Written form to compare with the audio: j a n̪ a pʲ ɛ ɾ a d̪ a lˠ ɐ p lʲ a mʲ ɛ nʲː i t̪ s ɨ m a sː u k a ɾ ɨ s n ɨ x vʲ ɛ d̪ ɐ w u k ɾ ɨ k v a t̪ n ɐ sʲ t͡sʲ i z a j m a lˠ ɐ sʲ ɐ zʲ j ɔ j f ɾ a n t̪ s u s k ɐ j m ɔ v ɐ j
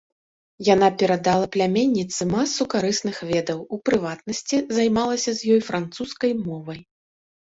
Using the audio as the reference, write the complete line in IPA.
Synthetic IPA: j a n̪ a pʲ ɛ ɾ a d̪ a lˠ ɐ p lʲ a mʲ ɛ nʲː i t̪ s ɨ m a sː u k a ɾ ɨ s n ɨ x vʲ ɛ d̪ ɐ w u p ɾ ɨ v a t̪ n ɐ sʲ t͡sʲ i z a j m a lˠ ɐ sʲ ɐ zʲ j ɔ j f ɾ a n t̪ s u s k ɐ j m ɔ v ɐ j